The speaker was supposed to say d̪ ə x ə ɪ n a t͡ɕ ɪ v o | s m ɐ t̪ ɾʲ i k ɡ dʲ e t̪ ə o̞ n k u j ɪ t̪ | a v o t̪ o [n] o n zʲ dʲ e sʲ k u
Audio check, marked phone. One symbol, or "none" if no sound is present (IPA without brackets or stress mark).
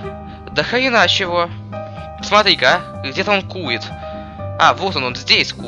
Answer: n